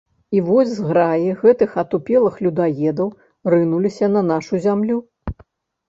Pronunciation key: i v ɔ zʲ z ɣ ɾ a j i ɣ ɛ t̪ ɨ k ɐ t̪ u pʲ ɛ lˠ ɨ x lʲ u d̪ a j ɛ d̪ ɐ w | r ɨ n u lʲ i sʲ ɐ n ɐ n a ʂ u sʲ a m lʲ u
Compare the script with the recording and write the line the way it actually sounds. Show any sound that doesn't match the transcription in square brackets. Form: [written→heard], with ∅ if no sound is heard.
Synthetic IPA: i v ɔ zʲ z ɣ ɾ a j i ɣ ɛ t̪ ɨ [k→x] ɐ t̪ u pʲ ɛ lˠ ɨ x lʲ u d̪ a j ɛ d̪ ɐ w | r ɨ n u lʲ i sʲ ɐ n ɐ n a ʂ u [sʲ→zʲ] a m lʲ u